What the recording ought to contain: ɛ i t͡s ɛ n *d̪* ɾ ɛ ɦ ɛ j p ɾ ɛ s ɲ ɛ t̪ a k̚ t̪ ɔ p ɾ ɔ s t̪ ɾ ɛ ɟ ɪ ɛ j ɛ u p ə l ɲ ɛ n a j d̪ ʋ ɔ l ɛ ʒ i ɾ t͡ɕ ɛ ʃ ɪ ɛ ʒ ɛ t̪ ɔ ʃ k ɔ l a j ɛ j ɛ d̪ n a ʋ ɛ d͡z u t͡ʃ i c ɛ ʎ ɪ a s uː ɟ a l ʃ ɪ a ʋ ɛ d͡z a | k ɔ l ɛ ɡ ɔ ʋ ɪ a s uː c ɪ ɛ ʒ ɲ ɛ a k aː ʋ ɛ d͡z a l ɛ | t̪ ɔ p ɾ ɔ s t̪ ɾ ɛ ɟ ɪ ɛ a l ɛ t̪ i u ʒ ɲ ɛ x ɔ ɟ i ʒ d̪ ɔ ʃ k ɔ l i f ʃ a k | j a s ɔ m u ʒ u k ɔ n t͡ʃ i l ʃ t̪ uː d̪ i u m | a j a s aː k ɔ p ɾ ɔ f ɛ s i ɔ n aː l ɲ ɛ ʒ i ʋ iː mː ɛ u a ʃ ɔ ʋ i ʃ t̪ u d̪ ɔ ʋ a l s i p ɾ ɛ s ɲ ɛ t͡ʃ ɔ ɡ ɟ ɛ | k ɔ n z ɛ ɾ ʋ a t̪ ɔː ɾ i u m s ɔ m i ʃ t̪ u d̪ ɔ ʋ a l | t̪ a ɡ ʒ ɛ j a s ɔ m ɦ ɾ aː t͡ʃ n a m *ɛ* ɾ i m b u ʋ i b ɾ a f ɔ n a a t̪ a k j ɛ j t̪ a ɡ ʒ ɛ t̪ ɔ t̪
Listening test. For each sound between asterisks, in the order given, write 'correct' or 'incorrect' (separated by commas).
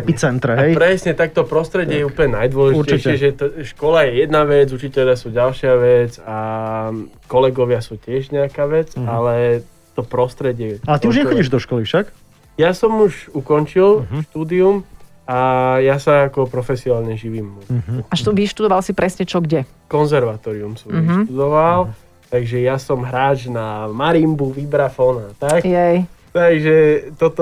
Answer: incorrect, incorrect